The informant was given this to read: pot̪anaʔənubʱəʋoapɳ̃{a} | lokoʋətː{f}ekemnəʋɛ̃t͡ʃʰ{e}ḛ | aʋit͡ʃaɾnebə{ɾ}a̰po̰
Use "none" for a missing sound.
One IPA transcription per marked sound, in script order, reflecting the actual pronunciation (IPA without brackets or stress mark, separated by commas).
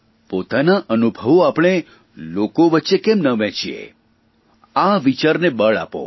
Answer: e, ʃ, i, ɭ